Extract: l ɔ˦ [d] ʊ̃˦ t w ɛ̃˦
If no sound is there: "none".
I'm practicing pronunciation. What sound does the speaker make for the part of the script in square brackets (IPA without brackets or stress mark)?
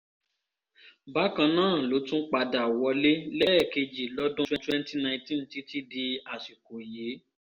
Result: d